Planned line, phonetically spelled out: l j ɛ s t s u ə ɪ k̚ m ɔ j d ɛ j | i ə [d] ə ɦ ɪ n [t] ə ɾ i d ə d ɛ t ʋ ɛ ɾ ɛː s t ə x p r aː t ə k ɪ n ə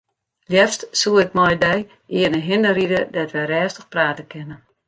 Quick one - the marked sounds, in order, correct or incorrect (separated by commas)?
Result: incorrect, incorrect